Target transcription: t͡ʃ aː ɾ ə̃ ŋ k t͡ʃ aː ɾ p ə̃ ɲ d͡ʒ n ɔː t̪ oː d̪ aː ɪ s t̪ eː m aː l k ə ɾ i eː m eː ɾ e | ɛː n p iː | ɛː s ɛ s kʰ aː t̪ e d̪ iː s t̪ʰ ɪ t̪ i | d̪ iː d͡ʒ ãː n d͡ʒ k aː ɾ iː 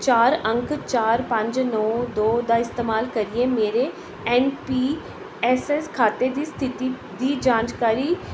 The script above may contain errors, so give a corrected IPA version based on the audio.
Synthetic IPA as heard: t͡ʃ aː ɾ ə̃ ŋ k t͡ʃ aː ɾ p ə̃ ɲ d͡ʒ n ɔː d̪ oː d̪ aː ɪ s t̪ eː m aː l k ə ɾ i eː m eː ɾ e | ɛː n p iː | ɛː s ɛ s kʰ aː t̪ e d̪ iː s t̪ʰ ɪ t̪ i | d̪ iː d͡ʒ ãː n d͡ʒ k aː ɾ iː